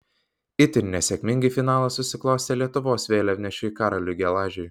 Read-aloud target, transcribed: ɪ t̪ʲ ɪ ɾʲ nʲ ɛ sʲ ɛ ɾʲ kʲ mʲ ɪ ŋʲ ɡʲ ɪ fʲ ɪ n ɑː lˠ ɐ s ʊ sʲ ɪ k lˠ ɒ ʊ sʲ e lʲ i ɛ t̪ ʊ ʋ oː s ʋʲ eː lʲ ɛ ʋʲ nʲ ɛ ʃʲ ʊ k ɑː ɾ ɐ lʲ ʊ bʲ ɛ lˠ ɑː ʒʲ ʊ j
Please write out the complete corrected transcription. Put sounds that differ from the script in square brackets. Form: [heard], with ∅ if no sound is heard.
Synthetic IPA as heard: ɪ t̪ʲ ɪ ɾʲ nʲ ɛ sʲ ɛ [∅] kʲ mʲ ɪ ŋʲ ɡʲ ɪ fʲ ɪ n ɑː lˠ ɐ s ʊ sʲ ɪ k lˠ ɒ ʊ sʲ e lʲ i ɛ t̪ ʊ ʋ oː s ʋʲ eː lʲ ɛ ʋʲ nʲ ɛ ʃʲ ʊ k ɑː ɾ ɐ lʲ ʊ [ɡʲ] ɛ lˠ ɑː ʒʲ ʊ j